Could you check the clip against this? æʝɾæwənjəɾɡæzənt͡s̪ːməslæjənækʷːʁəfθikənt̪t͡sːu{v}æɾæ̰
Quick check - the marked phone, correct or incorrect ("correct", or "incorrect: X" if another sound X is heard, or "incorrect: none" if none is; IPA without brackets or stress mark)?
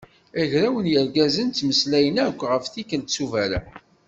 correct